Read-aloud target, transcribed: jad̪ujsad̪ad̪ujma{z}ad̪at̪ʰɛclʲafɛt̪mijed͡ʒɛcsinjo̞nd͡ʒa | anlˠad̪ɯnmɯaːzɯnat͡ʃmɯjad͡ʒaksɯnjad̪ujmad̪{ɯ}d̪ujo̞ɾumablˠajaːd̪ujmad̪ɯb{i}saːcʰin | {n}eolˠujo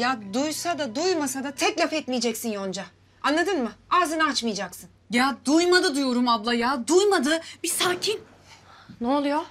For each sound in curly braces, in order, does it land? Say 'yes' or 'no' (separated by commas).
no, yes, yes, yes